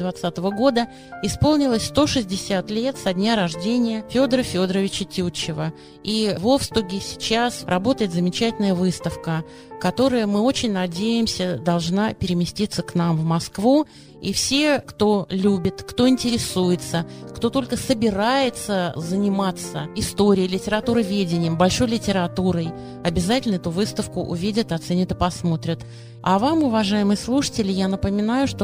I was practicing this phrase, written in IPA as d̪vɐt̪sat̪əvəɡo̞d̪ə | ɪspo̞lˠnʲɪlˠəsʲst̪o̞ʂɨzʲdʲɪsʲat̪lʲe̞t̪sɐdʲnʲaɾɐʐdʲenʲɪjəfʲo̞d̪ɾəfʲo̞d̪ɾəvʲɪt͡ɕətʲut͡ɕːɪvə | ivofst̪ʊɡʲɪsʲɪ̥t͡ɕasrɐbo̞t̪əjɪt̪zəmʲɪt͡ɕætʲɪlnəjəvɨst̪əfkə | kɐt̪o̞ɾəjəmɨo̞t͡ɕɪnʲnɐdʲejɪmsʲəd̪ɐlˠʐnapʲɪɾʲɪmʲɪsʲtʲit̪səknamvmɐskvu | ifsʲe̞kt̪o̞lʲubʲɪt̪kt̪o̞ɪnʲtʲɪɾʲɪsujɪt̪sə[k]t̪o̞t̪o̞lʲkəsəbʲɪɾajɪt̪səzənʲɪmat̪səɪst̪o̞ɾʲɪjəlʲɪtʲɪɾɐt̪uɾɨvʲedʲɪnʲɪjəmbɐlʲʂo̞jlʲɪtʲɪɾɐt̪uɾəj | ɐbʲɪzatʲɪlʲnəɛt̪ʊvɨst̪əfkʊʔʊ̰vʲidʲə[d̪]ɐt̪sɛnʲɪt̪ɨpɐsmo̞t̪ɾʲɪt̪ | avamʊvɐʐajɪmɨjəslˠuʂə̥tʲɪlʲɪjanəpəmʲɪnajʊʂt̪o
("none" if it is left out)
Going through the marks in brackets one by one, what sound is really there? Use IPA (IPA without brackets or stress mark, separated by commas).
k, t̪